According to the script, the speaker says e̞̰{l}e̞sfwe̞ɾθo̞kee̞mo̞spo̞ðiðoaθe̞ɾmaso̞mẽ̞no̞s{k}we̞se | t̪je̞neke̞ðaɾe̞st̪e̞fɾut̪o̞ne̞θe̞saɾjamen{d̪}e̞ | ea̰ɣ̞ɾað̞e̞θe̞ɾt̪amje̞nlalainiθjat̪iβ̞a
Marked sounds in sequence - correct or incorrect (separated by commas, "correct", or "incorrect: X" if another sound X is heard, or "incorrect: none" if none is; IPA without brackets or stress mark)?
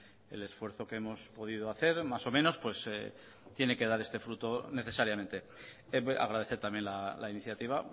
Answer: correct, incorrect: p, incorrect: t̪